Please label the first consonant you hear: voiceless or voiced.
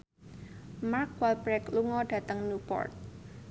voiced